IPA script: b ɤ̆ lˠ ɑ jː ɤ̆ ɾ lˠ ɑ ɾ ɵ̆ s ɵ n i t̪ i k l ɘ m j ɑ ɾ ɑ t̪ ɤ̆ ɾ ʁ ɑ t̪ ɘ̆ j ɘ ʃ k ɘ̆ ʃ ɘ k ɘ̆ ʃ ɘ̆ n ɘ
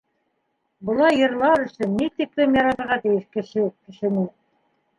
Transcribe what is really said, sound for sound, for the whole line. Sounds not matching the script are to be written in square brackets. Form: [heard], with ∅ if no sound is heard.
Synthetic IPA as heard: b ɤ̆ lˠ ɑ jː ɤ̆ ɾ lˠ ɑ ɾ ɵ̆ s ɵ [nː] i t̪ i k l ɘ m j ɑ ɾ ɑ t̪ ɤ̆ ɾ ʁ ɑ t̪ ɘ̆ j ɘ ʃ k ɘ̆ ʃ ɘ k ɘ̆ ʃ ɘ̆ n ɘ